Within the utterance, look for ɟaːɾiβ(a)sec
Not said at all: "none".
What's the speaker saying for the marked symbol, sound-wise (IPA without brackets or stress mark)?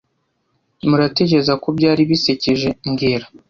i